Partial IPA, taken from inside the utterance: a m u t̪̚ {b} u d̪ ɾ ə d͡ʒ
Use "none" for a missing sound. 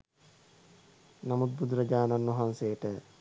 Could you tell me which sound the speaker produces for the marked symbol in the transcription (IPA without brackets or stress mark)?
b